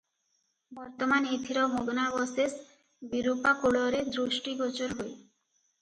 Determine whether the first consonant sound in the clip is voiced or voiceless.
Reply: voiced